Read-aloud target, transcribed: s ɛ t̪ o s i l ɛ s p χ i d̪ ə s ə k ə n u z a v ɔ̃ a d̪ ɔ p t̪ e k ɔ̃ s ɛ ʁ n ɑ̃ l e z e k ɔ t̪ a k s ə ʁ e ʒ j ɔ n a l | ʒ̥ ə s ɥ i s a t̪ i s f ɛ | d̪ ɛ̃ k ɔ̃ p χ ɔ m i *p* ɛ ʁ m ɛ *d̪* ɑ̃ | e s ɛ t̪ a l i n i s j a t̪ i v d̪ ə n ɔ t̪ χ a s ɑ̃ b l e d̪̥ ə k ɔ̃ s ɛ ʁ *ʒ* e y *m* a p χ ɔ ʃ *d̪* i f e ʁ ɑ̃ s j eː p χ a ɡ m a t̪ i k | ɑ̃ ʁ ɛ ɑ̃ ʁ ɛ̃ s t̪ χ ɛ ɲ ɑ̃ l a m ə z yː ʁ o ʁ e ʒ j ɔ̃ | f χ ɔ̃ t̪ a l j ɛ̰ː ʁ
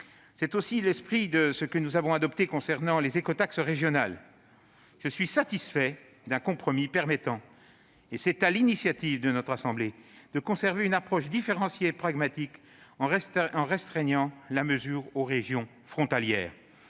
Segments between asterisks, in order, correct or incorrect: correct, incorrect: t̪, incorrect: v, incorrect: n, correct

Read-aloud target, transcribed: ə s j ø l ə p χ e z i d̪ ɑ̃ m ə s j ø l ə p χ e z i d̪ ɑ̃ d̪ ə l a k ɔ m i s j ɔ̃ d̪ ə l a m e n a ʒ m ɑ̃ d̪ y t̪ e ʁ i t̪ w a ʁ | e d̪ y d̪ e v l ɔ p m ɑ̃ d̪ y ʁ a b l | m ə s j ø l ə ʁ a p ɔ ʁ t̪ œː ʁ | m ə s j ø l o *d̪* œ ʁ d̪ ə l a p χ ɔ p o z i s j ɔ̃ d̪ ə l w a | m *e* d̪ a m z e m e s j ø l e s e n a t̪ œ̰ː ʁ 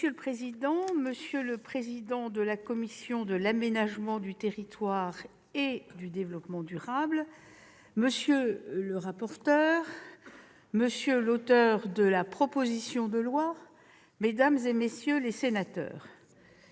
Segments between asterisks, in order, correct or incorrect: incorrect: t̪, correct

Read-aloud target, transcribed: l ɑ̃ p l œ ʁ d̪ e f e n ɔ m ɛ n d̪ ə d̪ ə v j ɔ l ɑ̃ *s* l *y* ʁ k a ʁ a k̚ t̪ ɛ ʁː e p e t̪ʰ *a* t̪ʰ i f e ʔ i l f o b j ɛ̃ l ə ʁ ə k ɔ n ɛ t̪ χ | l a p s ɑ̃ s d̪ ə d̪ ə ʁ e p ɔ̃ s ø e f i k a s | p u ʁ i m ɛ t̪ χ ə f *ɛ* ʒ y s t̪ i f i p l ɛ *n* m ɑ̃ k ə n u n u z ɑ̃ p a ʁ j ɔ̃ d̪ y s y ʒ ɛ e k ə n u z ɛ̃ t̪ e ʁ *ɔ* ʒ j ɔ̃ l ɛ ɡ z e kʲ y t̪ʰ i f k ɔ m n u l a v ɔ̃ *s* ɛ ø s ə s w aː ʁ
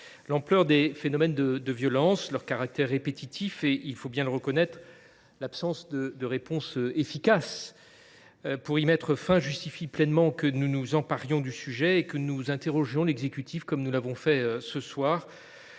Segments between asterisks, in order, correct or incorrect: correct, incorrect: œ, incorrect: i, incorrect: ɛ̃, correct, correct, incorrect: f

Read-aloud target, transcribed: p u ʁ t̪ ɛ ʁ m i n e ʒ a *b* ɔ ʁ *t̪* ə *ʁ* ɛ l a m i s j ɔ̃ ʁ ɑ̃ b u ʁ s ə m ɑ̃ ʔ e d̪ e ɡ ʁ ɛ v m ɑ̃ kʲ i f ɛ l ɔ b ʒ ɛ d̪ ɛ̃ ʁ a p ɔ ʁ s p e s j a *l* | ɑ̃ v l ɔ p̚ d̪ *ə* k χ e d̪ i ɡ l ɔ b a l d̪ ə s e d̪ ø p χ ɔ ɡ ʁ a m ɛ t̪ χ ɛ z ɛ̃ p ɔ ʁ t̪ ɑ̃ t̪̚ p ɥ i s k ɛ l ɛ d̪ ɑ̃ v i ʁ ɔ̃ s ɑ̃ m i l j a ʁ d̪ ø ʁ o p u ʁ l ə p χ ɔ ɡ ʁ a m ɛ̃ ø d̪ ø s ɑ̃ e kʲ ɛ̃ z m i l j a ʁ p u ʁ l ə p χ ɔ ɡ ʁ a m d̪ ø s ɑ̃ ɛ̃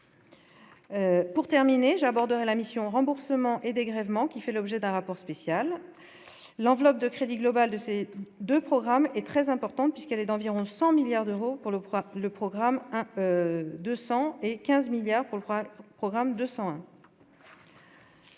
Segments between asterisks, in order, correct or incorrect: correct, incorrect: d̪, correct, incorrect: lː, correct

